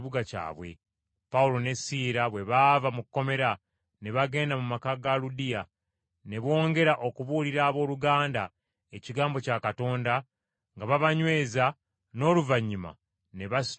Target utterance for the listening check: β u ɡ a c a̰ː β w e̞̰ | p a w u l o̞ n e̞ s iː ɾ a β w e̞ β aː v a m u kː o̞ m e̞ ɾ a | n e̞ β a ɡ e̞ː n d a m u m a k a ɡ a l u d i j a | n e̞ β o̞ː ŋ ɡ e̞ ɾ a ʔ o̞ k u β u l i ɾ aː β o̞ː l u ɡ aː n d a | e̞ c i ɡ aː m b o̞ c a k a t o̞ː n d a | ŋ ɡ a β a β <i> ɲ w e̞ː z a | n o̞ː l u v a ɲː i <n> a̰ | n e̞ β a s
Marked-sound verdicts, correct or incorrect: incorrect: a, incorrect: m

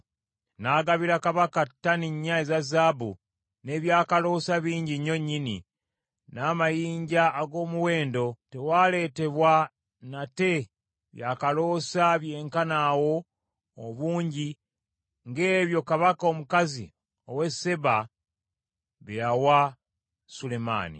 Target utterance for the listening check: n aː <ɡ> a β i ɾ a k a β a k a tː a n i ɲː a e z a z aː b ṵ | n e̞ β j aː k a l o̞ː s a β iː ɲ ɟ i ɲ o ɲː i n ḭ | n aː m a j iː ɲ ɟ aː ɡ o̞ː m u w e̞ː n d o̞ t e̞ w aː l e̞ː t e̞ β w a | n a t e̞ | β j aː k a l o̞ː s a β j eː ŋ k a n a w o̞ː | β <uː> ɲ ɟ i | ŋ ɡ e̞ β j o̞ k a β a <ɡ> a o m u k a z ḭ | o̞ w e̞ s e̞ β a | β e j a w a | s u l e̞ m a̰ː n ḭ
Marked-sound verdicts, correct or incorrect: correct, correct, incorrect: k

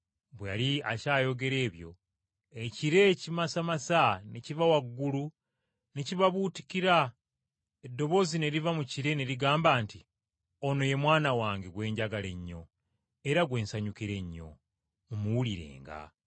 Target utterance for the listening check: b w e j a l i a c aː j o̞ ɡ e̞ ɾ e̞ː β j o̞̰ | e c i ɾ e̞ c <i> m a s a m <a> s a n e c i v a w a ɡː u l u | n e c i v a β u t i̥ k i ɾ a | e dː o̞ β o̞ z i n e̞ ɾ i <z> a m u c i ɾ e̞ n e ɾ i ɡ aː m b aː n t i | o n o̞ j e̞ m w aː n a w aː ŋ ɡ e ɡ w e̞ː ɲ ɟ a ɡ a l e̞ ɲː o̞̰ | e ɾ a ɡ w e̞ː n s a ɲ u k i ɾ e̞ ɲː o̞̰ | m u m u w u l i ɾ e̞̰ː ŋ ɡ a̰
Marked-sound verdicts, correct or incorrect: correct, correct, incorrect: v

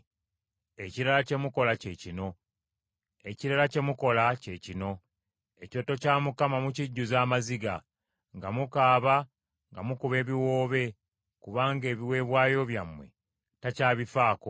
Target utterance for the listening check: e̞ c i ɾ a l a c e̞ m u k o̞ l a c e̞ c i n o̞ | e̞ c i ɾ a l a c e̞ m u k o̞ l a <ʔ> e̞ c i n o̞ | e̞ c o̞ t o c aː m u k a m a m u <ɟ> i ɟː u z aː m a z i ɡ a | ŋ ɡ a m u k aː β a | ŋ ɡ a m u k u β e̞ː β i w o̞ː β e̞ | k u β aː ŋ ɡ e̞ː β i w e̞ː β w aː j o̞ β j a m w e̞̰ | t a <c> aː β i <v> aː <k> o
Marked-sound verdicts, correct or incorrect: incorrect: c, incorrect: c, correct, incorrect: f, correct

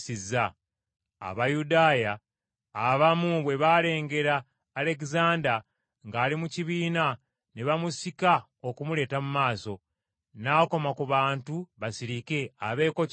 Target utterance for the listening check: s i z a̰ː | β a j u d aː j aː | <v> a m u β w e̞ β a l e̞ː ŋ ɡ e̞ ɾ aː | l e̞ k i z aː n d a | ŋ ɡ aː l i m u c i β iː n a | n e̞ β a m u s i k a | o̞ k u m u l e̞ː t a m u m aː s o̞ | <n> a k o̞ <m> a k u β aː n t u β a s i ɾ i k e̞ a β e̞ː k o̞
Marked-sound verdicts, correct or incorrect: incorrect: β, correct, correct

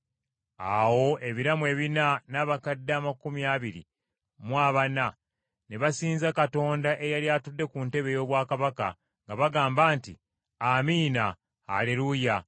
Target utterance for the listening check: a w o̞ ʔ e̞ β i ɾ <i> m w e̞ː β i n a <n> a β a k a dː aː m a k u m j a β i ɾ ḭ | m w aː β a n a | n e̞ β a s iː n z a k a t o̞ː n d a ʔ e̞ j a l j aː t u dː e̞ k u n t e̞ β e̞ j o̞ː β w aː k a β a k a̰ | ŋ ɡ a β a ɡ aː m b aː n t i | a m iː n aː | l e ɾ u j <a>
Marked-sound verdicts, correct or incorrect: incorrect: a, correct, correct

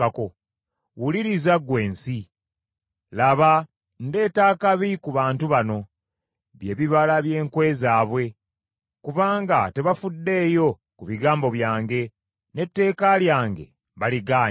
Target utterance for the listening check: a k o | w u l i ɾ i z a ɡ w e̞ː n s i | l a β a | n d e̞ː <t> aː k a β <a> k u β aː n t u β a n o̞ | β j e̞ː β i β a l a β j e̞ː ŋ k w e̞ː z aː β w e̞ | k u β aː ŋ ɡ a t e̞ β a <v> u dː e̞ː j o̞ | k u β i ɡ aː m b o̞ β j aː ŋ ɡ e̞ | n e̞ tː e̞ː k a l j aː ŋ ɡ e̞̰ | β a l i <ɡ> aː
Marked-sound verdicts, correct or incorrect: correct, incorrect: i, incorrect: f, correct

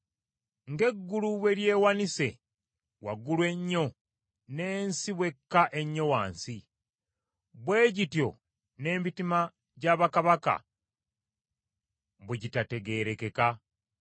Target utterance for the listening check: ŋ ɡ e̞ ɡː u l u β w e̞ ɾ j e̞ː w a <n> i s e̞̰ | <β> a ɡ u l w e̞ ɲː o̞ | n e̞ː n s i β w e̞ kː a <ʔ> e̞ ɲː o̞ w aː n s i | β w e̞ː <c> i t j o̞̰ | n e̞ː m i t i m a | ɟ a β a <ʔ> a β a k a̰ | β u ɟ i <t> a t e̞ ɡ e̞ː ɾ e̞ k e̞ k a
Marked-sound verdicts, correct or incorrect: correct, incorrect: w, correct, incorrect: ɟ, incorrect: k, correct

